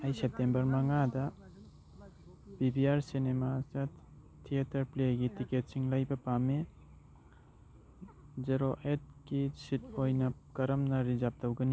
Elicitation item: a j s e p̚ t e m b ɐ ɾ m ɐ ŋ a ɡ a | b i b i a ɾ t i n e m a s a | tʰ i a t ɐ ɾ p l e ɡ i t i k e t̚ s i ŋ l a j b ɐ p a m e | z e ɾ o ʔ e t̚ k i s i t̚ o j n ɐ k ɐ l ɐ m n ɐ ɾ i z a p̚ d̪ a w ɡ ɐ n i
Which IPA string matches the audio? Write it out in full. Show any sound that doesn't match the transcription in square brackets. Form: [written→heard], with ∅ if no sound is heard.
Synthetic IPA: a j s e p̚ t e m b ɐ ɾ m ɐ ŋ a [ɡ→d] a | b i b i a ɾ [t→s] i n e m a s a | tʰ i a t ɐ ɾ p l e ɡ i t i k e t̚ s i ŋ l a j b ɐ p a m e | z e ɾ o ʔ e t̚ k i s i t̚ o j n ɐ k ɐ [l→ɾ] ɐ m n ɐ ɾ i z a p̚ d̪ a w ɡ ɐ n i